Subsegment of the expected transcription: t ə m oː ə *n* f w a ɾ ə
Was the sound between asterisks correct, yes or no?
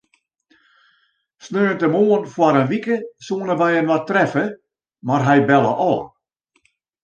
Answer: yes